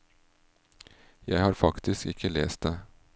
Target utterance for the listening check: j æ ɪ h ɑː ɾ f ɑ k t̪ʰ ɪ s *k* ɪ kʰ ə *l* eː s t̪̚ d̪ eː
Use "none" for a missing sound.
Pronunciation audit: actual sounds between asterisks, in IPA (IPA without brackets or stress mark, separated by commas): k, l